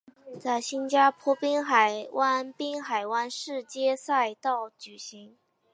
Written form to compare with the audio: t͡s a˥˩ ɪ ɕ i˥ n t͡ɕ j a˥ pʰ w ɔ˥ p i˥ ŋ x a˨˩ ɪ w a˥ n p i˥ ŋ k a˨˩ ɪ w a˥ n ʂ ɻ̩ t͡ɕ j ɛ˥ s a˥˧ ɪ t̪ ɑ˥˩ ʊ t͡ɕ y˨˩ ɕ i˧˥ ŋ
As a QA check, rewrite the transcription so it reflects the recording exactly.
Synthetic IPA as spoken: t͡s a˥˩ ɪ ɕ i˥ n t͡ɕ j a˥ pʰ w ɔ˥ p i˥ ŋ x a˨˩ ɪ w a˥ n p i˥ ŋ x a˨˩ ɪ w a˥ n ʂ ɻ̩ t͡ɕ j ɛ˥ s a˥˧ ɪ t̪ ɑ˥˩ ʊ t͡ɕ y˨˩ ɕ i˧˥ ŋ